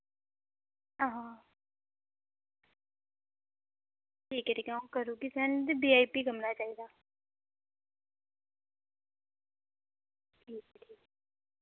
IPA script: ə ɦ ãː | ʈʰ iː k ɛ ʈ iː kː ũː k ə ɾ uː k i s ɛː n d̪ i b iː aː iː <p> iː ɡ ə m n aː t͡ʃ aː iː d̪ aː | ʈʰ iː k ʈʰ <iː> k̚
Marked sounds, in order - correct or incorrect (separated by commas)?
correct, correct